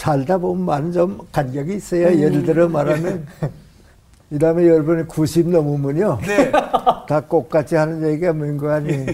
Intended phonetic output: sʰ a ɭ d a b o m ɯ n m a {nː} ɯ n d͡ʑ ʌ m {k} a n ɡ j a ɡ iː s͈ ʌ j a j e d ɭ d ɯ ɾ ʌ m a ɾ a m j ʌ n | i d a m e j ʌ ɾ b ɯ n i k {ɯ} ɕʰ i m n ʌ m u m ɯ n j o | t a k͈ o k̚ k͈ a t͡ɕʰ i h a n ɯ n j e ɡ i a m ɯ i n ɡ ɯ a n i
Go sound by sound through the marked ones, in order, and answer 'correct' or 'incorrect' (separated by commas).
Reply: incorrect, correct, incorrect